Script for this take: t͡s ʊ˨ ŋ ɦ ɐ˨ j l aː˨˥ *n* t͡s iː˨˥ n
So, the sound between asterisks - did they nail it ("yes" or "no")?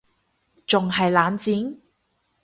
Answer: yes